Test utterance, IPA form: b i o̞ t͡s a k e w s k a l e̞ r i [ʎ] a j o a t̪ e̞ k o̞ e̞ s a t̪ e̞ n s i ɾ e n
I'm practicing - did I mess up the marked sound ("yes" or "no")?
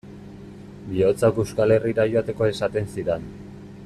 yes